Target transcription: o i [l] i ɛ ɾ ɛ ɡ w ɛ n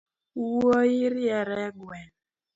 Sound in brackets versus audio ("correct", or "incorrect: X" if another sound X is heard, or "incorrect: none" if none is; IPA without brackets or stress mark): incorrect: ɾ